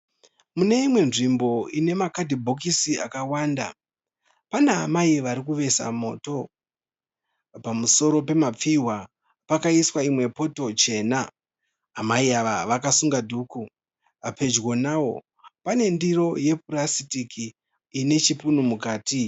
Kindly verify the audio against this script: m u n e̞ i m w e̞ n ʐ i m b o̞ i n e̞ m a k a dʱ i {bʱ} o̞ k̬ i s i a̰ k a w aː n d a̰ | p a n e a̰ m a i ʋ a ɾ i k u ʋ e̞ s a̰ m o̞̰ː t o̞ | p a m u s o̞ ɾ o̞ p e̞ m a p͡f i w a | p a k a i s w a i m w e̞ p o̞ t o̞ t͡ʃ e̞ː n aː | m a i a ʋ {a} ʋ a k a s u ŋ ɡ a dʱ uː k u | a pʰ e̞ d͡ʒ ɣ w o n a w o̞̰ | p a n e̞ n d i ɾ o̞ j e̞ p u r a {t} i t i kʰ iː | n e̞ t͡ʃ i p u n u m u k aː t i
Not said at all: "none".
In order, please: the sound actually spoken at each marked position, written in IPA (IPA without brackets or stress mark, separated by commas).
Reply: bʱ, a, s